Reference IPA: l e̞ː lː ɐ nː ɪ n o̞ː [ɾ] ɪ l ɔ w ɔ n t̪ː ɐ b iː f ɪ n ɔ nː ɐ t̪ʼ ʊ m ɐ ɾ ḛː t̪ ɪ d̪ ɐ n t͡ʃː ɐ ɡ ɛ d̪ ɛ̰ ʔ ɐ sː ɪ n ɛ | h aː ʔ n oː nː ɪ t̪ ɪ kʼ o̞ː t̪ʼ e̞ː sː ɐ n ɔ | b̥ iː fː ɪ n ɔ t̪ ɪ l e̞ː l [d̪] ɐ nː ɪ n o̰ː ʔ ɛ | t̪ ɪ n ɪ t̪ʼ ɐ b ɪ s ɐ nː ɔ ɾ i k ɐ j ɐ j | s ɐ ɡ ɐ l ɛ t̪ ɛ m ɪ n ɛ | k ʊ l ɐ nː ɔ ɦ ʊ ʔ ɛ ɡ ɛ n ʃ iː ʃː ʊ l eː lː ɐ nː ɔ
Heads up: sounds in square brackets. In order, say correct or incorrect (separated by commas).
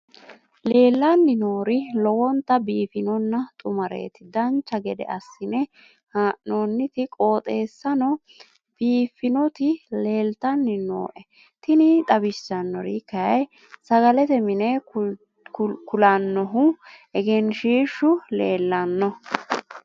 correct, incorrect